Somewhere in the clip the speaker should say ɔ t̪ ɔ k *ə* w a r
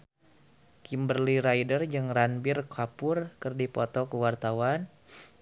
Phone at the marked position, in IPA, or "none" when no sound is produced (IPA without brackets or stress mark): ə